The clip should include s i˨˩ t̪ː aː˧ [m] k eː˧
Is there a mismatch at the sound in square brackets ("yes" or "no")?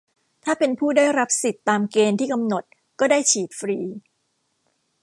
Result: no